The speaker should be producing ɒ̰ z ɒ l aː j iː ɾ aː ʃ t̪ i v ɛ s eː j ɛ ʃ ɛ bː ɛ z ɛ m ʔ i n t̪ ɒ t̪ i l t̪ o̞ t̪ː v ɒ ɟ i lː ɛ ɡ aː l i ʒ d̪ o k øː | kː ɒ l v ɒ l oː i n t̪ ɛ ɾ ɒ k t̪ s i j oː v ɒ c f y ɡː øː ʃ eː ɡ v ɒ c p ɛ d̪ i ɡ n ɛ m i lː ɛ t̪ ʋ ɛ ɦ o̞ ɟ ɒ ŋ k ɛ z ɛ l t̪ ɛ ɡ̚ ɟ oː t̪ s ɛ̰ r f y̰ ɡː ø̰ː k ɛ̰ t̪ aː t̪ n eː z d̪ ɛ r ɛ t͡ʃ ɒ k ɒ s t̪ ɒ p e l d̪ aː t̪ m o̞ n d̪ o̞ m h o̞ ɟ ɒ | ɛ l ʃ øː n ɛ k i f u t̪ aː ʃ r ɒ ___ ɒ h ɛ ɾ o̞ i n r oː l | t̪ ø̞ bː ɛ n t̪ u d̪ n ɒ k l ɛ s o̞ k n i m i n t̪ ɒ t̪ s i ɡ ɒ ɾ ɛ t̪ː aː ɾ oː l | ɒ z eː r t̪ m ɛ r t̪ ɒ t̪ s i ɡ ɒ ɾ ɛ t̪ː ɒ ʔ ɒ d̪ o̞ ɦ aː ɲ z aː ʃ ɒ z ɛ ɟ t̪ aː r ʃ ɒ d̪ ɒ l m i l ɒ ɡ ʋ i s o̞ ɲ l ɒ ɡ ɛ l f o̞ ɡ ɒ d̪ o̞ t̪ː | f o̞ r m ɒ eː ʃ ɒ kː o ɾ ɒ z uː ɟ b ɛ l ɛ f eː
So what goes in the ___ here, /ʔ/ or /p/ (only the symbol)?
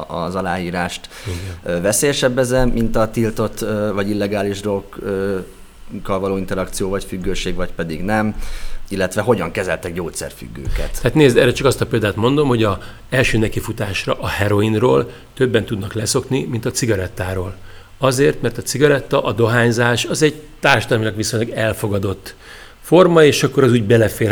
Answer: ʔ